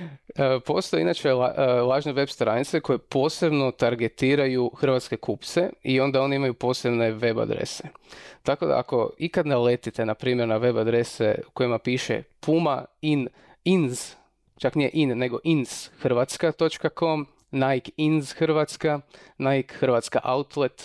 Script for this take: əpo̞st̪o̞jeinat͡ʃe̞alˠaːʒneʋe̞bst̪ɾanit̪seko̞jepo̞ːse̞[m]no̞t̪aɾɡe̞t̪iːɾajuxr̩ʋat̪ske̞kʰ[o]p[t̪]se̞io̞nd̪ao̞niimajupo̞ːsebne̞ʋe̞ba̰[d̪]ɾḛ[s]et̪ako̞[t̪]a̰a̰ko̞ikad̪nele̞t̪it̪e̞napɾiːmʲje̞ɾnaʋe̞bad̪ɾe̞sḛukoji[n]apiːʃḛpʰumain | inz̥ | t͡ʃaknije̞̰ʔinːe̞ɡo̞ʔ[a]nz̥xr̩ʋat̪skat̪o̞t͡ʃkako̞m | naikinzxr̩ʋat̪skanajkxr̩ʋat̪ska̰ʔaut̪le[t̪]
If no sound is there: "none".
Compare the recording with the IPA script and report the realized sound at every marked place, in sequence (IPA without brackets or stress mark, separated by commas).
b, u, t̪, d̪, s, d̪, m, i, t̪